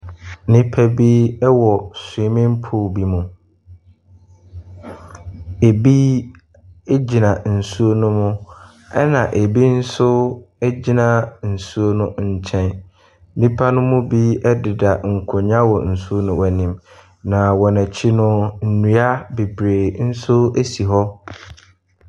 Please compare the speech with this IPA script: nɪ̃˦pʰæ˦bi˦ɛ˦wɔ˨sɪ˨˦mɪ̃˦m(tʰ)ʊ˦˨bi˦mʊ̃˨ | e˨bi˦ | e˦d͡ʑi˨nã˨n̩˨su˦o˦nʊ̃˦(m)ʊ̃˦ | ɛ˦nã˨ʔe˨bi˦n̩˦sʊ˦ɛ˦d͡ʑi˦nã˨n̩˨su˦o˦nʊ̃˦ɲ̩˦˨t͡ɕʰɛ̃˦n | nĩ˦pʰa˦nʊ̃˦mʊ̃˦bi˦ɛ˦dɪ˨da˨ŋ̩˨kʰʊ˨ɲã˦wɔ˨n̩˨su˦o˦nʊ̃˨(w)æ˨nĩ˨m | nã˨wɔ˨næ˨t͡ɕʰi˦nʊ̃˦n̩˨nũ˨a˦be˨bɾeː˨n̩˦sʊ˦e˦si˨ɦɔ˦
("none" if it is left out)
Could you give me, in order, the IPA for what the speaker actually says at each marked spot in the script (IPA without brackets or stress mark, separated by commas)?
pʰ, m, w